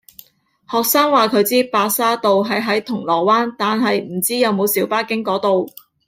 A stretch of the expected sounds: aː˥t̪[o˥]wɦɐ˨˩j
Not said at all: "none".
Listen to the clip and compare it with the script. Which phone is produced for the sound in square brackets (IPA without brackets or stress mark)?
o˨